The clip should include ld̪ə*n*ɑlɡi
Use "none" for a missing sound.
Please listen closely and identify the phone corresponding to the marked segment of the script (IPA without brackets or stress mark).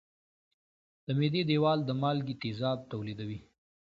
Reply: m